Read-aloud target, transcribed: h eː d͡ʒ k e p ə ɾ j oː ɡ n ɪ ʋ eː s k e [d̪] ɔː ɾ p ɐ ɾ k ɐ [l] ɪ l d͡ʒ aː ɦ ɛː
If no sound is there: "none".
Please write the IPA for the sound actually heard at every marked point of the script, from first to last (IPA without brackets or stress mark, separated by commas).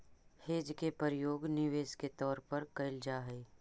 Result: t̪, none